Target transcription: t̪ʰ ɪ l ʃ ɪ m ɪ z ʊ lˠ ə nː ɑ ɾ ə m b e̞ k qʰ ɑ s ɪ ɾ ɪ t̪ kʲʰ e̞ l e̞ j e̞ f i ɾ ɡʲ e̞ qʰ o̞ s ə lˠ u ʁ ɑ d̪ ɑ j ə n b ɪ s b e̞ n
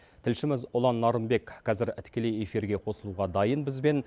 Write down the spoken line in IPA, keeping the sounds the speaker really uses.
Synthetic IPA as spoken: t̪ʰ ɪ l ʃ ɪ m ɪ z ʊ lˠ ɑ nː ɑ ɾ ə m b e̞ k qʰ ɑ z ɪ ɾ ɪ t̪ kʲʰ e̞ l e̞ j e̞ f i ɾ ɡʲ e̞ qʰ o̞ s ə lˠ u ʁ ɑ d̪ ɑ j ə n b ɪ z b e̞ n